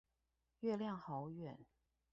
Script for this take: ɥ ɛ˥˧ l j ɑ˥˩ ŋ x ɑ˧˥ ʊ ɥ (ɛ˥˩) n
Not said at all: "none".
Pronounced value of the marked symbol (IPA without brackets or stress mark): ɛ˨˩˦